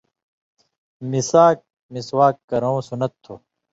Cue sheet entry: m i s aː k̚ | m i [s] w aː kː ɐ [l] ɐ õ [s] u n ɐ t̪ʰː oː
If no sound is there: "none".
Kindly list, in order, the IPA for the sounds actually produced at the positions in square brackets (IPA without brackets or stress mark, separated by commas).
s, ɾ, s